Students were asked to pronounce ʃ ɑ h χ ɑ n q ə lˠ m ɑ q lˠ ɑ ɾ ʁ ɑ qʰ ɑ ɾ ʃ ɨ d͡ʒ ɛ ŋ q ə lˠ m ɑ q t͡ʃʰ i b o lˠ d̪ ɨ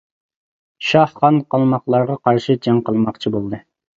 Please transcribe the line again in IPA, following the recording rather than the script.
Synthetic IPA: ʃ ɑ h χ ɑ n q ɑ lˠ m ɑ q lˠ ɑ ɾ ʁ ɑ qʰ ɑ ɾ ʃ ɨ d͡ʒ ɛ ŋ q ə lˠ m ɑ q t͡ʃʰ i b o lˠ d̪ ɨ